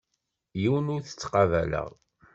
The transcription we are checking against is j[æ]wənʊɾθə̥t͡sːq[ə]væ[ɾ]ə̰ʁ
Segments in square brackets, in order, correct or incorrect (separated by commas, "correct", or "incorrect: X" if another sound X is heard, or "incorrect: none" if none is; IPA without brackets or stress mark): incorrect: i, incorrect: ɑ, incorrect: l